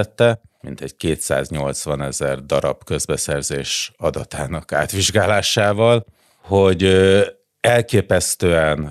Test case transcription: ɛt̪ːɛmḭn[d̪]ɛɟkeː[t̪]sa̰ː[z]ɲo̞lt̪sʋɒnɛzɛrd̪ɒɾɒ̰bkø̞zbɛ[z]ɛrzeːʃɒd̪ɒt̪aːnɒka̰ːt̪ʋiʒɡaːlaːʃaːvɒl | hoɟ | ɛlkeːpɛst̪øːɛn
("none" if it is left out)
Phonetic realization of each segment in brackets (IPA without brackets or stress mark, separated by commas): t̪, t̪, z, s